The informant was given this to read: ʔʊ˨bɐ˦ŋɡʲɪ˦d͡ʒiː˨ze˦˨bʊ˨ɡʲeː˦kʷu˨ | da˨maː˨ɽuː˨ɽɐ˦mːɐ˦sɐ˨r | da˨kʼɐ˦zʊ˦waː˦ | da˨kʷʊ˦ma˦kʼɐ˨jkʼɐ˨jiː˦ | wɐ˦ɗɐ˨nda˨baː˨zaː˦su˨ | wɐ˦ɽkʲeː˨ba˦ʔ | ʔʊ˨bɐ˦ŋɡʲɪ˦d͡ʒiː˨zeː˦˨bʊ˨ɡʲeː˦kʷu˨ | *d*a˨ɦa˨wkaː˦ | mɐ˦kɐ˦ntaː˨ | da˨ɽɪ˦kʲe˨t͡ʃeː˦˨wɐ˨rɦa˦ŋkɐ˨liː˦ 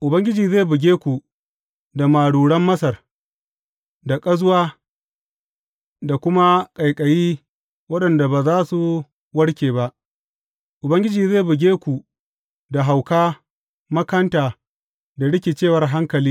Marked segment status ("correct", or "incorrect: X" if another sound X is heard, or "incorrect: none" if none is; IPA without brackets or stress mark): correct